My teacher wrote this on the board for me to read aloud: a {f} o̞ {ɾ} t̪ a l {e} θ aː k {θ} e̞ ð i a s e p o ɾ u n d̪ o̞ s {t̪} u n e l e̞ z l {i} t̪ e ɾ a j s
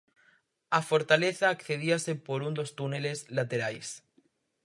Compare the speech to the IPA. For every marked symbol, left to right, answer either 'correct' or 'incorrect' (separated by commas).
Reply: correct, correct, correct, correct, correct, incorrect